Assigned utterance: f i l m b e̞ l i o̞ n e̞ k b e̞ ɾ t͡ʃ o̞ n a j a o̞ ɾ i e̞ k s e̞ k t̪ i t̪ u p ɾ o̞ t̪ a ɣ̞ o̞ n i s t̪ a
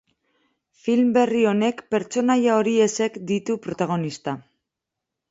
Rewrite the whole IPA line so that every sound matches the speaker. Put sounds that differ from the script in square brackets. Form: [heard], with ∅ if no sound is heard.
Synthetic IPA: f i l m b e̞ [r] i o̞ n e̞ k [p] e̞ ɾ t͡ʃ o̞ n a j a o̞ ɾ i e̞ [∅] s e̞ k [d̪] i t̪ u p ɾ o̞ t̪ a ɣ̞ o̞ n i s t̪ a

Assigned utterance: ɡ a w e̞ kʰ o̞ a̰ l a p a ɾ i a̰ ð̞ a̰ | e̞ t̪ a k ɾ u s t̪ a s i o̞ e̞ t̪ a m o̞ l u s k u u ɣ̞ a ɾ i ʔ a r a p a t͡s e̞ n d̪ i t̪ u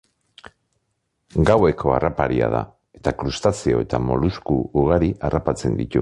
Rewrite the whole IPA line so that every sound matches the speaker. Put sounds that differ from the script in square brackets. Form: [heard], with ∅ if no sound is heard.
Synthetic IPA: ɡ a w e̞ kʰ o̞ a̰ [r] a p a ɾ i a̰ ð̞ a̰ | e̞ t̪ a k ɾ u s t̪ a s i o̞ e̞ t̪ a m o̞ l u s k u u ɣ̞ a ɾ i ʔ a r a p a t͡s e̞ n d̪ i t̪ u

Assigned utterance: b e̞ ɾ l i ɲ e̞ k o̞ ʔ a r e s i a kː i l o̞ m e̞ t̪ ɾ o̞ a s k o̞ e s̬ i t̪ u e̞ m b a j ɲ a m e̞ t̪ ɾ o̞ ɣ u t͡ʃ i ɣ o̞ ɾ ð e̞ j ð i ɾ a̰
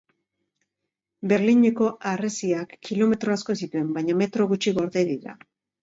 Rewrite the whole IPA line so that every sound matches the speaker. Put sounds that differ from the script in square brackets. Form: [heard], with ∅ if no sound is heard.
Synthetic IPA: b e̞ ɾ l i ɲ e̞ k o̞ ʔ a r e s i a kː i l o̞ m e̞ t̪ ɾ o̞ a s k o̞ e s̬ i t̪ u e̞ m b a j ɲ a m e̞ t̪ ɾ o̞ ɣ u t͡ʃ i ɣ o̞ ɾ ð e̞ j ð i ɾ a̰

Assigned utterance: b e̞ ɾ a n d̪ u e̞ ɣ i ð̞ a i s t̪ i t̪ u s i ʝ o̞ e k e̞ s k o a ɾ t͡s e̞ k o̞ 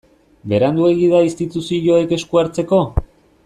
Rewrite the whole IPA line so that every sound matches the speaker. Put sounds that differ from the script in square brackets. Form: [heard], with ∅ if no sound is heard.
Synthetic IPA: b e̞ ɾ a n d̪ u e̞ ɣ i ð̞ a i s t̪ i t̪ u s i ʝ o̞ e k e̞ s k [u] a ɾ t͡s e̞ k o̞

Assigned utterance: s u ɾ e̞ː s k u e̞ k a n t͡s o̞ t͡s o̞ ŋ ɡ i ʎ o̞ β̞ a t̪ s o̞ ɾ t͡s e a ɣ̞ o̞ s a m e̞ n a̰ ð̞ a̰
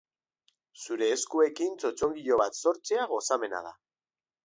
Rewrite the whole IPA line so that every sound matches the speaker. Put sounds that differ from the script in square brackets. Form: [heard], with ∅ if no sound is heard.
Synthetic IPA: s u ɾ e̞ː s k u e̞ k [i] n t͡s o̞ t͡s o̞ ŋ ɡ i ʎ o̞ β̞ a t̪ s o̞ ɾ t͡s e a ɣ̞ o̞ s a m e̞ n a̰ ð̞ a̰

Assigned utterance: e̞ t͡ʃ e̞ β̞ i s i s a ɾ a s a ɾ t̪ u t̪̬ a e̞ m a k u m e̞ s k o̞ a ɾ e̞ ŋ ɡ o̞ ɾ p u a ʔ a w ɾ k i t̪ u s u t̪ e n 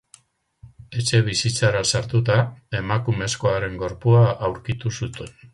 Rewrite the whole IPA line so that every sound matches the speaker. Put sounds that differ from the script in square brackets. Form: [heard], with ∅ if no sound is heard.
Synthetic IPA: e̞ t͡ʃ e̞ β̞ i s i [t͡s] a ɾ a s a ɾ t̪ u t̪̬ a e̞ m a k u m e̞ s k o̞ a ɾ e̞ ŋ ɡ o̞ ɾ p u a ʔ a w ɾ k i t̪ u s u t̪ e n

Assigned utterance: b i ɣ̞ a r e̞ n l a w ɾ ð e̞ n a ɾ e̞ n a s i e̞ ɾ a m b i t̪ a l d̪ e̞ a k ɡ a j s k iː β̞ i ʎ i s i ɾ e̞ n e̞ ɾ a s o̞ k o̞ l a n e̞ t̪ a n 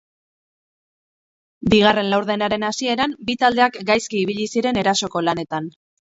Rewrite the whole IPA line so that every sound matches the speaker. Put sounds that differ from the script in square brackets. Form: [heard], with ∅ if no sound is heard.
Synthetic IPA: b i ɣ̞ a r e̞ n l a w ɾ ð e̞ n a ɾ e̞ n a s i e̞ ɾ a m b i t̪ a l d̪ e̞ a k ɡ a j s k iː β̞ i ʎ i s i ɾ e̞ n e̞ ɾ a s o̞ k o̞ l a n e̞ t̪ a n

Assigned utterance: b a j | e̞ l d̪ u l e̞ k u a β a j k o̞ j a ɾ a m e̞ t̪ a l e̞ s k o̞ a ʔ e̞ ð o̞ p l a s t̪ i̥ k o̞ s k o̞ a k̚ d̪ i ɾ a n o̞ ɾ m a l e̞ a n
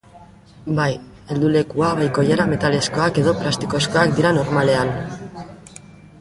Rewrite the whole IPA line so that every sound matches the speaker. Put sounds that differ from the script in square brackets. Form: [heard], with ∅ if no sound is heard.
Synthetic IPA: b a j | e̞ l d̪ u l e̞ k u a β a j k o̞ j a ɾ a m e̞ t̪ a l e̞ s k o̞ a [k] e̞ ð o̞ p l a s t̪ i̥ k o̞ s k o̞ a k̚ d̪ i ɾ a n o̞ ɾ m a l e̞ a n

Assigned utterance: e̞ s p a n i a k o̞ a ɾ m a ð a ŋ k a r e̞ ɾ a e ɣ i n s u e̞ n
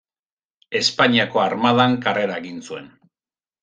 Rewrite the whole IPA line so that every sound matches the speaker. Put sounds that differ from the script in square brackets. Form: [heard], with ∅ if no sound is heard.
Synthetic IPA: e̞ s p a [ɲ] i a k o̞ a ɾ m a ð a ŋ k a r e̞ ɾ a e ɣ i n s u e̞ n

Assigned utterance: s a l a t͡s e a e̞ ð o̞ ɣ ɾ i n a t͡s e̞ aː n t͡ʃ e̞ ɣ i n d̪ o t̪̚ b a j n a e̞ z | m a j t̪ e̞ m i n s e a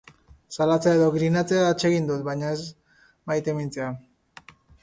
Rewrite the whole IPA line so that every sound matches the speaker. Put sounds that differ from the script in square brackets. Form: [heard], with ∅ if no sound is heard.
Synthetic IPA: s a l a t͡s e a e̞ ð o̞ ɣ ɾ i n a t͡s e̞ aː [∅] t͡ʃ e̞ ɣ i n d̪ [u] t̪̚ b a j [ɲ] a e̞ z | m a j t̪ e̞ m i n [t͡s] e a

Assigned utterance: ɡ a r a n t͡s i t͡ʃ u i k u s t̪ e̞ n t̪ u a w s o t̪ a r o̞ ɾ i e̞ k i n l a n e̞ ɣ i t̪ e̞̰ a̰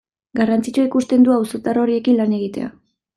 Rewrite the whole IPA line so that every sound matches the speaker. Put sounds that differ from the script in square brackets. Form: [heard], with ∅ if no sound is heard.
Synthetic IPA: ɡ a r a n t͡s i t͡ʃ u i k u s t̪ e̞ n [d̪] u a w s o t̪ a r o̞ ɾ i e̞ k i n l a n e̞ ɣ i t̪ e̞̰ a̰

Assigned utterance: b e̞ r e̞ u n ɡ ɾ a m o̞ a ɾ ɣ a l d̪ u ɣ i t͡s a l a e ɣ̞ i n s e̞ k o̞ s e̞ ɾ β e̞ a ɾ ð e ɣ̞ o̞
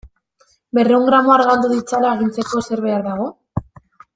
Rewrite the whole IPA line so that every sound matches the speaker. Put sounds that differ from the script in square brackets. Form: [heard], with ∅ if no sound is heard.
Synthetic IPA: b e̞ r e̞ u [ŋ] ɡ ɾ a m o̞ a ɾ ɣ a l d̪ u [ð] i t͡s a l a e ɣ̞ i n [t͡s] e̞ k o̞ s e̞ ɾ β e̞ a ɾ ð [a] ɣ̞ o̞

